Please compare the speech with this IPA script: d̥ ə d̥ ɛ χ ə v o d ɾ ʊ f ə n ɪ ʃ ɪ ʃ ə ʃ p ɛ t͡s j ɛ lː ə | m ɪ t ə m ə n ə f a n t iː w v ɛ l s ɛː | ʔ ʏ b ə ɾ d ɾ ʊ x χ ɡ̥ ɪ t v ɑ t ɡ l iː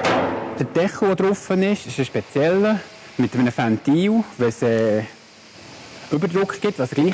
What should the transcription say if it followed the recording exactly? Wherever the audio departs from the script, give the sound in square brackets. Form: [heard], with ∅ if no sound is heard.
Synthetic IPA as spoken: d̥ ə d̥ ɛ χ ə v o d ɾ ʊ f ə n ɪ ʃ ɪ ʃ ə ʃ p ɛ t͡s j ɛ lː ə | m ɪ t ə m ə n ə f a n t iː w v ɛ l s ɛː | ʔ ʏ b ə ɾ d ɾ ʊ [k] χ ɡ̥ ɪ t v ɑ [s] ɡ l iː